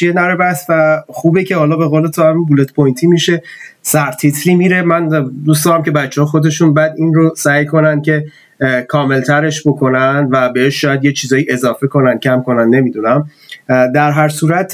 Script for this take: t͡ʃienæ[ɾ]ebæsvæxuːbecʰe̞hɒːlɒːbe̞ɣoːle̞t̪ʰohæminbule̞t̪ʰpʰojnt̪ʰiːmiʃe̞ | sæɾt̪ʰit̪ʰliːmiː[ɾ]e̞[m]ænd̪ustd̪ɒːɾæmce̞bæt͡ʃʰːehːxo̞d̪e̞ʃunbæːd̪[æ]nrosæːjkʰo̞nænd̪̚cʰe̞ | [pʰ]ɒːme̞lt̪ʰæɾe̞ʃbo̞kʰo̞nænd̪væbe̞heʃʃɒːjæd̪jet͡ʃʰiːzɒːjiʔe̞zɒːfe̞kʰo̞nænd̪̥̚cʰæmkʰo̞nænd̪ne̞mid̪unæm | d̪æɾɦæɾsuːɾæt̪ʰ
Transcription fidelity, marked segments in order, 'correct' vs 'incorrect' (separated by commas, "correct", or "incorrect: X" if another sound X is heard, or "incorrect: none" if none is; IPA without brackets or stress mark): correct, correct, correct, incorrect: i, incorrect: kʰ